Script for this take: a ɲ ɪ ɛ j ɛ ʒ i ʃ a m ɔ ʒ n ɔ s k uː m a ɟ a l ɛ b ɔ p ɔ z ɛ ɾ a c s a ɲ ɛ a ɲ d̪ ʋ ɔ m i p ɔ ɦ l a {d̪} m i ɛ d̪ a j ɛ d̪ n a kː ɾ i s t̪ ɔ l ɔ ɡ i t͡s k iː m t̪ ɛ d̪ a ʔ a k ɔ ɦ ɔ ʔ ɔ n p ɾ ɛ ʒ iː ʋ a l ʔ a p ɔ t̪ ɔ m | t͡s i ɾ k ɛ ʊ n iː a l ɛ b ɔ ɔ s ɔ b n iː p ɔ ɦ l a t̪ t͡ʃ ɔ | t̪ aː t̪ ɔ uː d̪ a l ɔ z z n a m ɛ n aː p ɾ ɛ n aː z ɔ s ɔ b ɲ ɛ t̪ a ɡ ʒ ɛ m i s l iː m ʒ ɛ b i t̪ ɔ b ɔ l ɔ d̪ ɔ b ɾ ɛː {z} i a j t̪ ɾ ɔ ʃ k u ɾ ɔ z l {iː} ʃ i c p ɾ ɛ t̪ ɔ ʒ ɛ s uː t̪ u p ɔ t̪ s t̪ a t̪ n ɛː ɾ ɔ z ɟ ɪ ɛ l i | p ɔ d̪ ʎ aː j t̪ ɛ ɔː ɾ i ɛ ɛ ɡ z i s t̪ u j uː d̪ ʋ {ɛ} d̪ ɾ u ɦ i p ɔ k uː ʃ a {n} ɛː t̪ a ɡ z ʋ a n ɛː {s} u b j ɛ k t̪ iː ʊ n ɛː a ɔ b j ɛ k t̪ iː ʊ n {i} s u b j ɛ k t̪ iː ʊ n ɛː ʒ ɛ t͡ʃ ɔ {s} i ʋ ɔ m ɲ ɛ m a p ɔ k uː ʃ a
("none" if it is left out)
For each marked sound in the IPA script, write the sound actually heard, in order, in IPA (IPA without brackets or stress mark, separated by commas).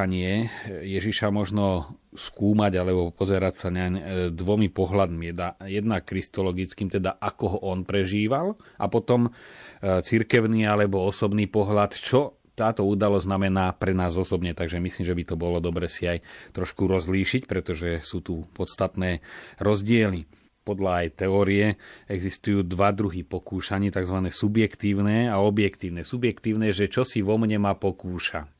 d̪, s, iː, a, ɲ, s, ɛ, s